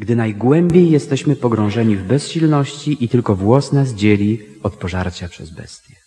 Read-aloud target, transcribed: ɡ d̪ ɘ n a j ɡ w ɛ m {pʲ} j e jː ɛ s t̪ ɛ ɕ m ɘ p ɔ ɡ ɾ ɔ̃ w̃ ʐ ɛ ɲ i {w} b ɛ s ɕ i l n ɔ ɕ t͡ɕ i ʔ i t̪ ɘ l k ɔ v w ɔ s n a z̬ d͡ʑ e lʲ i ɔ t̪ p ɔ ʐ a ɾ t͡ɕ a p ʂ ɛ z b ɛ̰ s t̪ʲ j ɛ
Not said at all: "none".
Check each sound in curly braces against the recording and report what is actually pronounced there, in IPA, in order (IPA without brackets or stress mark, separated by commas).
bʲ, v